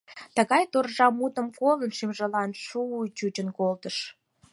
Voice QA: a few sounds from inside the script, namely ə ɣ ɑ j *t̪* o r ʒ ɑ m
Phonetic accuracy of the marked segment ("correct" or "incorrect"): correct